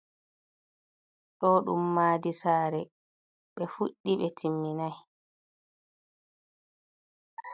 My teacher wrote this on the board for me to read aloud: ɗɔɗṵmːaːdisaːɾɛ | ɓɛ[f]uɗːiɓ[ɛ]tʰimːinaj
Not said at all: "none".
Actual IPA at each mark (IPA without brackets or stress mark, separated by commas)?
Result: f, ɛ